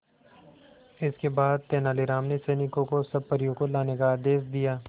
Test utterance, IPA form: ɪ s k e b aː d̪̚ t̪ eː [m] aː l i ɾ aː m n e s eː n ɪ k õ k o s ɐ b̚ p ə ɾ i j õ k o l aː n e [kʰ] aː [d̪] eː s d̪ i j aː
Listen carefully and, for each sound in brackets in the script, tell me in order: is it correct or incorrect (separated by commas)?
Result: incorrect, incorrect, correct